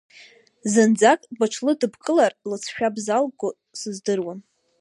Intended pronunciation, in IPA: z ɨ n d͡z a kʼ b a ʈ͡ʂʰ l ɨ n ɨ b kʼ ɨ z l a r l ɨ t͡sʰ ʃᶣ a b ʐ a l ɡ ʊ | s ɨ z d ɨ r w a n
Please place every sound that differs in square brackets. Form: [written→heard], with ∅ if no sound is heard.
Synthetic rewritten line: z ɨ n d͡z a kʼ b a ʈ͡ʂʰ l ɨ [n→d] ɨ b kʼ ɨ [z→∅] l a r l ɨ t͡sʰ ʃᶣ a b [ʐ→z] a l ɡ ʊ | s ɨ z d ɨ r w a n